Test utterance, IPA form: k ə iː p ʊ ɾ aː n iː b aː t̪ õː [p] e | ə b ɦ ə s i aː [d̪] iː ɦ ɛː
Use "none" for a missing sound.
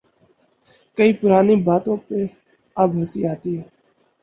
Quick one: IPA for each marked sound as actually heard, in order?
p, t̪

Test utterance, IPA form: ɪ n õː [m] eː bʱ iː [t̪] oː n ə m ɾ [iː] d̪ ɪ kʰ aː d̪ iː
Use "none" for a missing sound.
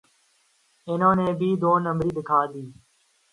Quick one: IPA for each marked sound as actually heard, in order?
n, d̪, iː

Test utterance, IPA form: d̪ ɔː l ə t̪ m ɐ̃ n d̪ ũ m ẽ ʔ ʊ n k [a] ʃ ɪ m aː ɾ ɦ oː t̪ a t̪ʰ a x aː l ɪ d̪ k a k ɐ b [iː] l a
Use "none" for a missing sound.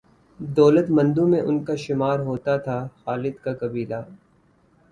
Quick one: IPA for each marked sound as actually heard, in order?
a, iː

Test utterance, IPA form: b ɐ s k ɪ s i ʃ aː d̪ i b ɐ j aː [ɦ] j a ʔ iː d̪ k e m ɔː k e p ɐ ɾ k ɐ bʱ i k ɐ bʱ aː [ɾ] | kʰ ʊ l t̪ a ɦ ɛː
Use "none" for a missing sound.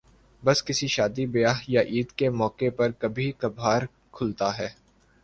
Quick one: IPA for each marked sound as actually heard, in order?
ɦ, ɾ

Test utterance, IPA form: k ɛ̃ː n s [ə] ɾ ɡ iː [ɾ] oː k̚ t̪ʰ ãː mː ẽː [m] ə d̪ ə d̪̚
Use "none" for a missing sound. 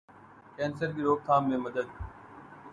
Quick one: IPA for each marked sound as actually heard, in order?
ə, ɾ, m

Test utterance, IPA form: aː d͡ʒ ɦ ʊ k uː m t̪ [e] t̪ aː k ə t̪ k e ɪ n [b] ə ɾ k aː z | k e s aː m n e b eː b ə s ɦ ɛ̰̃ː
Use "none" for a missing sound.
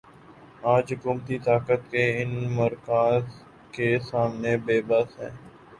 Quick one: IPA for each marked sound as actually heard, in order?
i, m

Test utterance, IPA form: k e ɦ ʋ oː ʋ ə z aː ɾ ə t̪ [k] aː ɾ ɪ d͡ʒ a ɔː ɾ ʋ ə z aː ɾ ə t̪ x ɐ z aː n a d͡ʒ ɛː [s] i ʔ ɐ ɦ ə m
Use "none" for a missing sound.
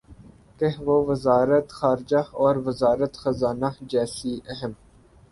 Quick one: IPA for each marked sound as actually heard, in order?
x, s

